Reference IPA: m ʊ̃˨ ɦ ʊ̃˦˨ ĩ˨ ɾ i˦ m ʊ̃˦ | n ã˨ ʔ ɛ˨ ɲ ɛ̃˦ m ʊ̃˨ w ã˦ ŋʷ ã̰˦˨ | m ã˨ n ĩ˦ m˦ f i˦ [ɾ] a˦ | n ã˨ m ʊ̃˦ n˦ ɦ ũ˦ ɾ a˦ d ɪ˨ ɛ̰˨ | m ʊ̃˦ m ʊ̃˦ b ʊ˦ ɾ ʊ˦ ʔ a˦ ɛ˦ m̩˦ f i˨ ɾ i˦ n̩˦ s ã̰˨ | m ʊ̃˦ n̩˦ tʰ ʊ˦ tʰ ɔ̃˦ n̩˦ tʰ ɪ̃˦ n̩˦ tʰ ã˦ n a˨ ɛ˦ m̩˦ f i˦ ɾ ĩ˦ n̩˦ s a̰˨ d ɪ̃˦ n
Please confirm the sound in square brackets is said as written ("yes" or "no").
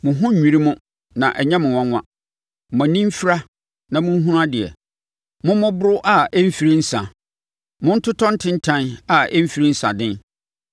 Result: yes